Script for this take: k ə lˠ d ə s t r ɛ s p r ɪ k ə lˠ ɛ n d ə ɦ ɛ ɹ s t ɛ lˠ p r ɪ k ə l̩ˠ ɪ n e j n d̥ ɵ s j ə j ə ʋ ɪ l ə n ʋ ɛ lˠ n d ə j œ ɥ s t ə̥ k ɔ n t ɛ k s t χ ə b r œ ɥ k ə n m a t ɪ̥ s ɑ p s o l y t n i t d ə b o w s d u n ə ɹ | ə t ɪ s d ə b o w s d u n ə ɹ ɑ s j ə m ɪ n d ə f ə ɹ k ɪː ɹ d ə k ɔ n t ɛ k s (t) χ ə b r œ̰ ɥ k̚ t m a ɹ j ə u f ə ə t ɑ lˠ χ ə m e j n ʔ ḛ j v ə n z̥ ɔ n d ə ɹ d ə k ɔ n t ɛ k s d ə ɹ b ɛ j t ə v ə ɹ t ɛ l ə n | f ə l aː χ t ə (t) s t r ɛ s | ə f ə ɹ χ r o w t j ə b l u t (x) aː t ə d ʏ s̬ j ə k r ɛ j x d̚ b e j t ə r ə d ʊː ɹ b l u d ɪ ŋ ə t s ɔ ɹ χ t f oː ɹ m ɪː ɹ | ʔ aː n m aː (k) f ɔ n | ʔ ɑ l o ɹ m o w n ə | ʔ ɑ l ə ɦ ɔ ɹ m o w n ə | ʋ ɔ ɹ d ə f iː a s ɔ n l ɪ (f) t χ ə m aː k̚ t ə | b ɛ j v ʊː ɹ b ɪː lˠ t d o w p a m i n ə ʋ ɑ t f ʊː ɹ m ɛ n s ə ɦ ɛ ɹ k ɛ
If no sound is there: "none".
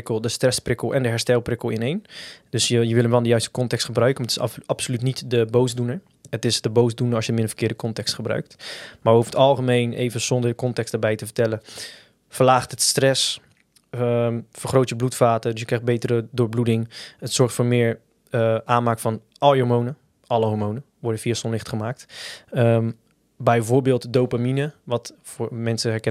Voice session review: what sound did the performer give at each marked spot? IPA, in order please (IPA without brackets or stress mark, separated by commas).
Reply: t, t, f, k, χ